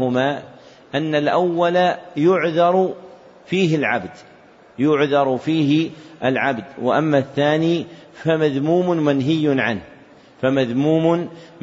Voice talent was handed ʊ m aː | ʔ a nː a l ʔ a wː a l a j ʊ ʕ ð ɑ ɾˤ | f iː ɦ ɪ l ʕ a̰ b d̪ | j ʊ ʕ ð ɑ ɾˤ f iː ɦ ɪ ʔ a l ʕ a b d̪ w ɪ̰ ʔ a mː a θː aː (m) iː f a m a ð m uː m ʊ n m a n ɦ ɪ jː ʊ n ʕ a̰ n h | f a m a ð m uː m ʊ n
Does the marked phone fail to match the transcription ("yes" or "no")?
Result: yes